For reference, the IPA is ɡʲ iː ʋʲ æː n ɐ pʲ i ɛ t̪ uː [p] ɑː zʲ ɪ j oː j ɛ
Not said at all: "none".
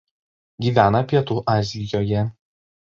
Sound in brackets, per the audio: ʔ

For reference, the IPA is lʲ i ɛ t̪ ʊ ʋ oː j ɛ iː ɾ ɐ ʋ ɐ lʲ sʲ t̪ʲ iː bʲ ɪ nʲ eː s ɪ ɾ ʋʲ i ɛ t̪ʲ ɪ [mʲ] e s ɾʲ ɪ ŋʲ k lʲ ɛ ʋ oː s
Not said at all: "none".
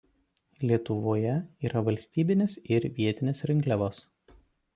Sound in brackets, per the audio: nʲ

